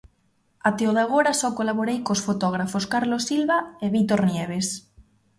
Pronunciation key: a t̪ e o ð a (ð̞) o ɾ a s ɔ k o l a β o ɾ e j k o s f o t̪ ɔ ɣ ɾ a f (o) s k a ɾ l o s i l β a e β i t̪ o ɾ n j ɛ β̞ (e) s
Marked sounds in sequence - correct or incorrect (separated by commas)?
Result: incorrect, correct, correct